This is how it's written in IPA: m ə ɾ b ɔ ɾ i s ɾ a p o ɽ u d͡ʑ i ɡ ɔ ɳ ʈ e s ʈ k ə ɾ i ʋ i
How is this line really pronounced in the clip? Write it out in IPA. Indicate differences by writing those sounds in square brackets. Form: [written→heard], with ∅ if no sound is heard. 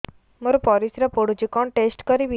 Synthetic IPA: m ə ɾ [b→p] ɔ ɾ i s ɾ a p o ɽ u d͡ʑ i [ɡ→k] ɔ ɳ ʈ e s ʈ k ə ɾ i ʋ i